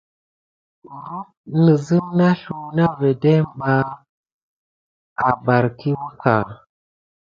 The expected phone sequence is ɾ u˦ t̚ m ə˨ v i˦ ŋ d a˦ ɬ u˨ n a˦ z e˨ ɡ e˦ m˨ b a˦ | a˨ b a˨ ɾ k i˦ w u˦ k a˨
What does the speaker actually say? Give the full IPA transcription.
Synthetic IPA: ɾ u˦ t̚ n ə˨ z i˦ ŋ n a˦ ɬ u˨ n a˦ v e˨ d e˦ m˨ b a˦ | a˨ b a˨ ɾ k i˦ w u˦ k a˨